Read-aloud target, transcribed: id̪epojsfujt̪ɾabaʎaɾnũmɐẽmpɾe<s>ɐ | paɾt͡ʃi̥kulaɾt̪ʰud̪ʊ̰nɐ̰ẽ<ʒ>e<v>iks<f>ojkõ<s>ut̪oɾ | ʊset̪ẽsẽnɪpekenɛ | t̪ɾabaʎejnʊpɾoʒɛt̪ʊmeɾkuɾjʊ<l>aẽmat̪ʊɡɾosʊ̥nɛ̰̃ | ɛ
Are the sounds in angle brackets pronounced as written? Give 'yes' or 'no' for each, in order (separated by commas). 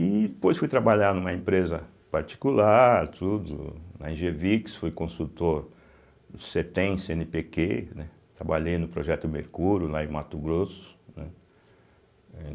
no, yes, yes, yes, yes, yes